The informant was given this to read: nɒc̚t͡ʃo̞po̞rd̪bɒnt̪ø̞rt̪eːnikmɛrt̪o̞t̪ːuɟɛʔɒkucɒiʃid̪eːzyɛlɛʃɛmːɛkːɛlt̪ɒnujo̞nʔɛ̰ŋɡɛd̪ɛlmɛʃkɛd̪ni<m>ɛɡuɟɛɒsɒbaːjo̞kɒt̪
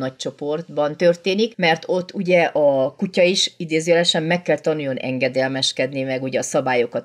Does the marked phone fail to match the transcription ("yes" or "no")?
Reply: no